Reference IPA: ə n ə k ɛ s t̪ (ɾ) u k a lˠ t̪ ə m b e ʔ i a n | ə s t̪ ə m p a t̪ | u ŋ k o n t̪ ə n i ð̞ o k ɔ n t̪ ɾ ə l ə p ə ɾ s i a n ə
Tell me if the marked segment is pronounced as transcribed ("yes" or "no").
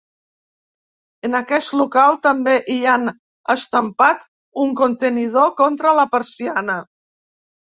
no